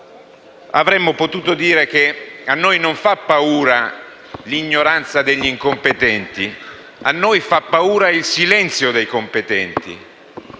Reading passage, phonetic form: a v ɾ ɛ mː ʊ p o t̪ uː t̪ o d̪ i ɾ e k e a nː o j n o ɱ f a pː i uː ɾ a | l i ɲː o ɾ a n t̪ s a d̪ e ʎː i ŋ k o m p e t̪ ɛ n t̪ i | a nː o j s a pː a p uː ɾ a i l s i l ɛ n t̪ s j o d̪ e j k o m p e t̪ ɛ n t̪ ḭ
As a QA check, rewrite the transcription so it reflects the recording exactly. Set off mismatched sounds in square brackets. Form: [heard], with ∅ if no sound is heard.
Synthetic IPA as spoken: a v ɾ ɛ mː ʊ p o t̪ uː t̪ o d̪ [iː] ɾ e k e a nː o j n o ɱ f a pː [a] uː ɾ a | l i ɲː o ɾ a n t̪ s a d̪ e ʎː i ŋ k o m p e t̪ ɛ n t̪ i | a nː o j [f] a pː a [∅] uː ɾ a i l s i l ɛ n t̪ s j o d̪ e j k o m p e t̪ ɛ n t̪ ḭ